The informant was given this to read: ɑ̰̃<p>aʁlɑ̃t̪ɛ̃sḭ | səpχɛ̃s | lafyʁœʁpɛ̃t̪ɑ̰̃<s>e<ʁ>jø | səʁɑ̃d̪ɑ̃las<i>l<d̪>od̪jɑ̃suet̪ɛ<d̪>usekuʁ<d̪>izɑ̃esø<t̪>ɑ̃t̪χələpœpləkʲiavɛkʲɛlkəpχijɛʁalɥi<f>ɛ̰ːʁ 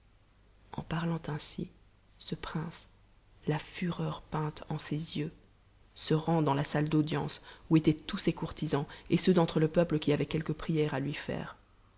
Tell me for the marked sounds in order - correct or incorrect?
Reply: correct, correct, incorrect, incorrect, correct, incorrect, incorrect, incorrect, correct

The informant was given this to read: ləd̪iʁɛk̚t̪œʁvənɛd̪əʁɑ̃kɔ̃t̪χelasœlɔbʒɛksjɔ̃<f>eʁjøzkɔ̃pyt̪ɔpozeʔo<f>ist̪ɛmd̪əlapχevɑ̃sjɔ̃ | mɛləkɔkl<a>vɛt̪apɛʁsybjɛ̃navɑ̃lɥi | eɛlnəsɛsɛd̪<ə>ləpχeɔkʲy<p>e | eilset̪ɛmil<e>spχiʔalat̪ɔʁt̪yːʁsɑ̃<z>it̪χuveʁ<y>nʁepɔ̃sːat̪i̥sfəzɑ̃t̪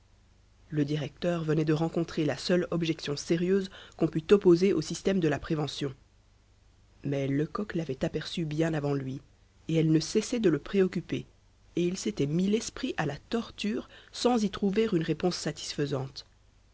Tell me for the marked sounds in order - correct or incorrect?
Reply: incorrect, incorrect, correct, correct, correct, incorrect, correct, correct

